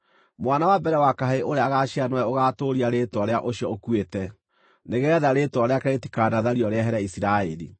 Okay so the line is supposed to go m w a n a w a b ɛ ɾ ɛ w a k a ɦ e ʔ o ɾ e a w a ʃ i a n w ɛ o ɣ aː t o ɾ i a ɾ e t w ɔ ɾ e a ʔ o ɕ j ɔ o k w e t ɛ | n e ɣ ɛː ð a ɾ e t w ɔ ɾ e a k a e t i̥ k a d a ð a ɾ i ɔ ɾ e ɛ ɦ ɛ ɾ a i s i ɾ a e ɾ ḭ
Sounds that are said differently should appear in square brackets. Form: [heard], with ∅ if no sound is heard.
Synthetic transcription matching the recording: m w a n a w a b ɛ ɾ ɛ w a k a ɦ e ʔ o ɾ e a [ɣ] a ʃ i a n w ɛ o ɣ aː t o ɾ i a ɾ e t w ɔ ɾ e a ʔ o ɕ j ɔ o k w e t ɛ | n e ɣ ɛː ð a ɾ e t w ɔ ɾ e a k a e t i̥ k a d a ð a ɾ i ɔ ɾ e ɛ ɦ ɛ ɾ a i s i ɾ a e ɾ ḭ